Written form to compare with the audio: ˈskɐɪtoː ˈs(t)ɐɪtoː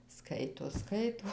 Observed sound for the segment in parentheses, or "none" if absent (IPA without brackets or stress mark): k